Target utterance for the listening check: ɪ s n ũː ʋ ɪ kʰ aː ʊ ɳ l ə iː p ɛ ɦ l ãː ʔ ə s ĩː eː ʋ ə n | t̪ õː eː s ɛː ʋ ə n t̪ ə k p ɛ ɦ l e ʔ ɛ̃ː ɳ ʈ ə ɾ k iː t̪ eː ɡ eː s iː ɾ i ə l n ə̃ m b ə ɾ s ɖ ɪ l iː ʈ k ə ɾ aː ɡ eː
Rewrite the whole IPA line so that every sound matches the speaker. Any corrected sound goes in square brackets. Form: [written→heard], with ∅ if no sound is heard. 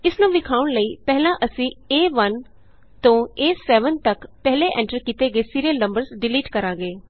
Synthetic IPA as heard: ɪ s n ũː ʋ ɪ kʰ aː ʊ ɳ l ə iː p ɛ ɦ l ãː ʔ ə s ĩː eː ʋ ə n | t̪ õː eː s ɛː ʋ ə n t̪ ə k p ɛ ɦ l e ʔ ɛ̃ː ɳ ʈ ə ɾ k iː t̪ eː ɡ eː s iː ɾ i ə l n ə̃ m b ə ɾ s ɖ ɪ l iː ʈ k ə ɾ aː ɡ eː